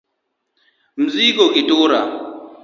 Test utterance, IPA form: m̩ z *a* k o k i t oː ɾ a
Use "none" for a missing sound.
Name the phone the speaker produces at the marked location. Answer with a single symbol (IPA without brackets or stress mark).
i